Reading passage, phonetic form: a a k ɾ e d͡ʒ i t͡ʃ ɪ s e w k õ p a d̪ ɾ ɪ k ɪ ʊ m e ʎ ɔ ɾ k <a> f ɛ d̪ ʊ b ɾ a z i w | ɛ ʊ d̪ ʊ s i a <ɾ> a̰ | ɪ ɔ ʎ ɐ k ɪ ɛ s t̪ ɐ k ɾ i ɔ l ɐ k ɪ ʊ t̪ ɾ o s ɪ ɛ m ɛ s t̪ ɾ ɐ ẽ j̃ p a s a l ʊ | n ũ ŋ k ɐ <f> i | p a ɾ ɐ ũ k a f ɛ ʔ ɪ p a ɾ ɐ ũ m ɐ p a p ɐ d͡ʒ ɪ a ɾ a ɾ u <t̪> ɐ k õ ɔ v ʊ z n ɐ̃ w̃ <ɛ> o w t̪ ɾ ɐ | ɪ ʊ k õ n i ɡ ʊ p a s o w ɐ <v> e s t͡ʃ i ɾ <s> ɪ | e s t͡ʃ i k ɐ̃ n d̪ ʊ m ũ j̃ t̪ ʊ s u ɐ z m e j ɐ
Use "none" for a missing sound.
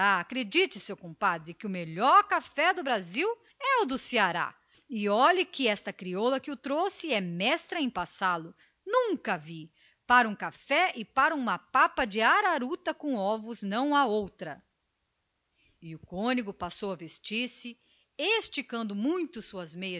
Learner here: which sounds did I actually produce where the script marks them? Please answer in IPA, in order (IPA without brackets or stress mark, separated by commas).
a, ɾ, v, t̪, a, v, s